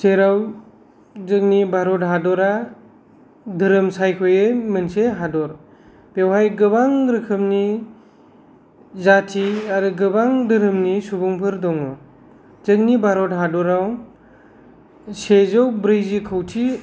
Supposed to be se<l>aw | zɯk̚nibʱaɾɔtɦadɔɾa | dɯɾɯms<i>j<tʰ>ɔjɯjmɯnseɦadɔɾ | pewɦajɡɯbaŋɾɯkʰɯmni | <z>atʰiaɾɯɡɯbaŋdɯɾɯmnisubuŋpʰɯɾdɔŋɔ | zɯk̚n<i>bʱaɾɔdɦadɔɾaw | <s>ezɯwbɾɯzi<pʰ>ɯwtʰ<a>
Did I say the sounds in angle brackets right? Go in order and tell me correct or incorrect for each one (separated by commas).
incorrect, incorrect, incorrect, correct, correct, correct, incorrect, incorrect